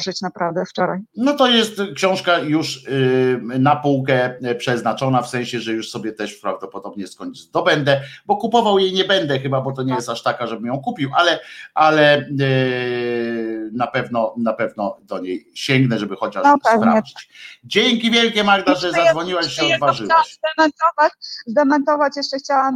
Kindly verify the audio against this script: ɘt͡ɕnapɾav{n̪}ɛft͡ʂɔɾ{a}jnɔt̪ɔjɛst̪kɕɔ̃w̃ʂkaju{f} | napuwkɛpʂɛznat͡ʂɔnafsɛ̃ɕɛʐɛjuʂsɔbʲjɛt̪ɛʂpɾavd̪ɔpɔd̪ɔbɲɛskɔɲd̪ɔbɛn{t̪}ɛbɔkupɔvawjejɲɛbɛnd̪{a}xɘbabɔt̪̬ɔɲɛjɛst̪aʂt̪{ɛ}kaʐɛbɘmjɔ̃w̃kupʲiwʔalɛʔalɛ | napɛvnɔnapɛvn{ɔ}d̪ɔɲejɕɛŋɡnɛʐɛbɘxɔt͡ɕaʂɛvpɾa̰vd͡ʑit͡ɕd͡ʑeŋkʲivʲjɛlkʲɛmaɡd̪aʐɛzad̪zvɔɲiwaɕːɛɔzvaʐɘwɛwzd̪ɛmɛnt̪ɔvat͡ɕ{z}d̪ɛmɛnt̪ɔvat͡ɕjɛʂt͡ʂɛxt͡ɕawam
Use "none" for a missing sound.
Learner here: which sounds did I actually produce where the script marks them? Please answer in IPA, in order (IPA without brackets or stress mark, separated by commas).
d̪, a, ʂ, d̪, ɛ, a, ɔ, z